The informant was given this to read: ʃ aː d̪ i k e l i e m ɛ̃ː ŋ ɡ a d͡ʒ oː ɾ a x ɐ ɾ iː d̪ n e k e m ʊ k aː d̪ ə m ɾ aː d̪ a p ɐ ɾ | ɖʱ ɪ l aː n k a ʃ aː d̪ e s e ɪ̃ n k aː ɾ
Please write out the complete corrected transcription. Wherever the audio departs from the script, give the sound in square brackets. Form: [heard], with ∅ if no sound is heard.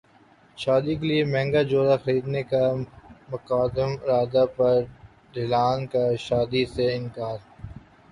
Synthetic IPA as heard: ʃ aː d̪ i k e l i e m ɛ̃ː ŋ ɡ a d͡ʒ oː ɾ a x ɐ ɾ iː d̪ n e k [a] m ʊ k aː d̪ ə m ɾ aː d̪ a p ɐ ɾ | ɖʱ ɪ l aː n k a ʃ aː d̪ [i] s e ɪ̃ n k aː ɾ

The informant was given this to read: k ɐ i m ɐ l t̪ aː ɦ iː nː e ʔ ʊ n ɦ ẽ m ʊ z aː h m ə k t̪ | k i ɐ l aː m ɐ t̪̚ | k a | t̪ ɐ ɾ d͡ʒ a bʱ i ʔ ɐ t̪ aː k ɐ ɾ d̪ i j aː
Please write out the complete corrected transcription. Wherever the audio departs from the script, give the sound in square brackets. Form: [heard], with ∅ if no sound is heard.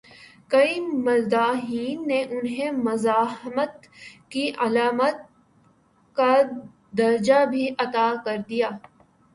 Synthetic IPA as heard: k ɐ i m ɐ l [d̪] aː ɦ iː nː e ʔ ʊ n ɦ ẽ m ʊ z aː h m ə [∅] t̪ | k i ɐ l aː m [ə] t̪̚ | k a | [d̪] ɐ ɾ d͡ʒ a bʱ i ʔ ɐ t̪ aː k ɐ ɾ d̪ i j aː

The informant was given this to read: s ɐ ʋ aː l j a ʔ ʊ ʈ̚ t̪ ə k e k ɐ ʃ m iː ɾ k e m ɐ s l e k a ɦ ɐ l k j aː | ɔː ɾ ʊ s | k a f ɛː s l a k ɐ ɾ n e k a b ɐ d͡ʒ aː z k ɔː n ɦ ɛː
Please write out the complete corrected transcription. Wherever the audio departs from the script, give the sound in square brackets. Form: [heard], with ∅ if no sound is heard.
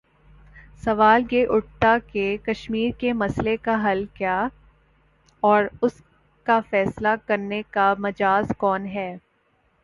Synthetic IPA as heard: s ɐ ʋ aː l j [e] ʔ ʊ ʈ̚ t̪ [a] k e k ɐ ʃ m iː ɾ k e m ɐ s l e k a ɦ ɐ l k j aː | ɔː ɾ ʊ s | k a f ɛː s l a k ɐ ɾ n e k a [m] ɐ d͡ʒ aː z k ɔː n ɦ ɛː

